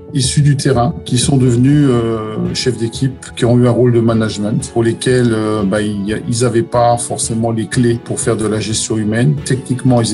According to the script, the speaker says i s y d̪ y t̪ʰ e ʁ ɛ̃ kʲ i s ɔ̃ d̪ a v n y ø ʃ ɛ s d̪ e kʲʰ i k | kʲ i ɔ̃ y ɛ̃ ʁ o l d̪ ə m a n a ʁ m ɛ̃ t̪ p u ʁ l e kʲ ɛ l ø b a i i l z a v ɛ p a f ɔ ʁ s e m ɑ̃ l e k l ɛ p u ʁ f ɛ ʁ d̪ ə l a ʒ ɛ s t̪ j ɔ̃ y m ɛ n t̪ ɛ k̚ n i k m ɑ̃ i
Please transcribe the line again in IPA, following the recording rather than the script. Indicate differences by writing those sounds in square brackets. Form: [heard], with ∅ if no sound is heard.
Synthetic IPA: i s y d̪ y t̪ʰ e ʁ ɛ̃ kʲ i s ɔ̃ d̪ [ə] v n y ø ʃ ɛ [f] d̪ e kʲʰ i [p] | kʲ i ɔ̃ y ɛ̃ ʁ o l d̪ ə m a n a [ʒ] m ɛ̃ t̪ p u ʁ l e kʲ ɛ l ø b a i i l z a v ɛ p a f ɔ ʁ s e m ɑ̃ l e k l [e] p u ʁ f ɛ ʁ d̪ ə l a ʒ ɛ s t̪ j ɔ̃ y m ɛ n t̪ ɛ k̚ n i k m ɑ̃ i